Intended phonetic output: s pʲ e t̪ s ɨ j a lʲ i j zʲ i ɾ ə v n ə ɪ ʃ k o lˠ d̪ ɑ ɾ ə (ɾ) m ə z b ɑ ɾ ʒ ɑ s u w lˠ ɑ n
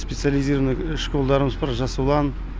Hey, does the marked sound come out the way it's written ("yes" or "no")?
no